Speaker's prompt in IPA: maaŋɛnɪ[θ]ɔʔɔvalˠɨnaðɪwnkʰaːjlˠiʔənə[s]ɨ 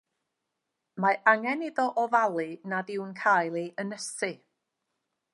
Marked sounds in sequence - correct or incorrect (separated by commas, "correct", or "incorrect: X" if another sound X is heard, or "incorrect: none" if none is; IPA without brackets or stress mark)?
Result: incorrect: ð, correct